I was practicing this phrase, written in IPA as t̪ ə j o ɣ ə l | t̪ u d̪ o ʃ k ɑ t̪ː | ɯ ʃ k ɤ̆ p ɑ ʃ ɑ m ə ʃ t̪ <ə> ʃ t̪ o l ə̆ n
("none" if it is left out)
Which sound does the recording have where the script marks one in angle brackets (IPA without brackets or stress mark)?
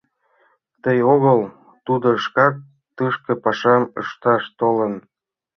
ɑ